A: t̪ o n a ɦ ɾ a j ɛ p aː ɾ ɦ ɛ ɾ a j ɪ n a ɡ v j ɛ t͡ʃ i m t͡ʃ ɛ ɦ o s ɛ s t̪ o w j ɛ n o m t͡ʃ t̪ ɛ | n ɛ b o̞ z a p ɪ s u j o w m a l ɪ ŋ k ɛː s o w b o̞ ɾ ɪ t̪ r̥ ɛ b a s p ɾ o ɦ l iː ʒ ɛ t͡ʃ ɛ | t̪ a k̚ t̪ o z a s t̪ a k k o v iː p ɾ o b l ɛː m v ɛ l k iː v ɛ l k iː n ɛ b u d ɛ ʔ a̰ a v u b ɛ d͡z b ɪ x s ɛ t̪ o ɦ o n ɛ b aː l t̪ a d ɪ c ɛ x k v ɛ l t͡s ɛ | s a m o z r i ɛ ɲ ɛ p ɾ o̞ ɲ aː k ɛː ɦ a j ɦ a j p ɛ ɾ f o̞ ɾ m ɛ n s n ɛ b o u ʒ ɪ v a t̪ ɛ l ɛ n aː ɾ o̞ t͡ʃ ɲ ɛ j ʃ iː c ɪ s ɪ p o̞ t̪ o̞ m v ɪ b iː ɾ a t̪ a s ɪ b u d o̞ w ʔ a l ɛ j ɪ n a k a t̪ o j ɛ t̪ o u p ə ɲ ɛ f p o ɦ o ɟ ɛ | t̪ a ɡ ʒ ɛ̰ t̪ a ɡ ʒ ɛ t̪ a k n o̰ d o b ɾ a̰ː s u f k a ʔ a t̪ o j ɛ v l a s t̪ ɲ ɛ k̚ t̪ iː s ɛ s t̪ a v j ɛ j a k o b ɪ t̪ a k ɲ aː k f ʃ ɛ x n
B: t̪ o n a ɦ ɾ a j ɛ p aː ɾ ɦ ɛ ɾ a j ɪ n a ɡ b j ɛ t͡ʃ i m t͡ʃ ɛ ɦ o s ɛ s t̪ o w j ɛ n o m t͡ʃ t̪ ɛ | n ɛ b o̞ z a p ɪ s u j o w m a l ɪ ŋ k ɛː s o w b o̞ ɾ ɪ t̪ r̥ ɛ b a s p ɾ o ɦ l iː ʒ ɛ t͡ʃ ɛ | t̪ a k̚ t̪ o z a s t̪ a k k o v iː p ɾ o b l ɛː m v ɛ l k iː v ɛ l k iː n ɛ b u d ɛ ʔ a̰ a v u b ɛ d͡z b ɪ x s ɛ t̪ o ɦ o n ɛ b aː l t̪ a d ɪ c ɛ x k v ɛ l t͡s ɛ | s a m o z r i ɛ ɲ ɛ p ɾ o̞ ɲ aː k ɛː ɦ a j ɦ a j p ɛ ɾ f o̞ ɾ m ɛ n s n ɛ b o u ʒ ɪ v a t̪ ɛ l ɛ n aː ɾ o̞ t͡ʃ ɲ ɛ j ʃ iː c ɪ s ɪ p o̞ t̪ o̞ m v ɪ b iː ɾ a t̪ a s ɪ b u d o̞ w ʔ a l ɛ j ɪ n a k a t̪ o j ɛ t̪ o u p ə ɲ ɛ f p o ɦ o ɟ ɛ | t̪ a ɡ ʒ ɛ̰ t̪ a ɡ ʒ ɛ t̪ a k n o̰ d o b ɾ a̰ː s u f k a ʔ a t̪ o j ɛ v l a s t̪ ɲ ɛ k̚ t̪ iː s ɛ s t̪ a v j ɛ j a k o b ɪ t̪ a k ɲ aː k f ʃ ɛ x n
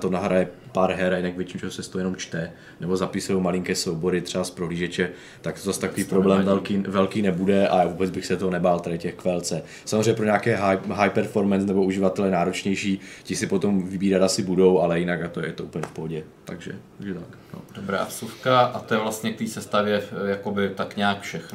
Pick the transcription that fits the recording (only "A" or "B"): A